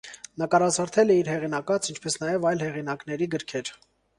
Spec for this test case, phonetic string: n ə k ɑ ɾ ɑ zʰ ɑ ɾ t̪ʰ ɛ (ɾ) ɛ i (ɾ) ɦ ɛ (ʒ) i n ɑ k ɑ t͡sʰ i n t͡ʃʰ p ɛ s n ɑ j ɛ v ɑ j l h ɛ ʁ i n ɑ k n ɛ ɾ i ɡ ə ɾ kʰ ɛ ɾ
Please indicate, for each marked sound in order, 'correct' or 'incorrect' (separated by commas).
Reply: incorrect, correct, incorrect